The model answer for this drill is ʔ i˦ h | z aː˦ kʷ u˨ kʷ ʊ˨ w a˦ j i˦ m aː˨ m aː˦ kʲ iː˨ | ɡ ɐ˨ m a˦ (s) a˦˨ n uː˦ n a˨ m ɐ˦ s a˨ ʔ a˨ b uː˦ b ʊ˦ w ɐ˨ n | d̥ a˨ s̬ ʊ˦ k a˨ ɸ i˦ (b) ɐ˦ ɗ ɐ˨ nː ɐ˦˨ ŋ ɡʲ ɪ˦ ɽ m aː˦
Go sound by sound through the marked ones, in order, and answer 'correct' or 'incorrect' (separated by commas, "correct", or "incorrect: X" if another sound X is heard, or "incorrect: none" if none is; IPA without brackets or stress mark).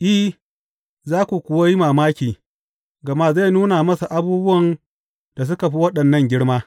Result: incorrect: z, incorrect: w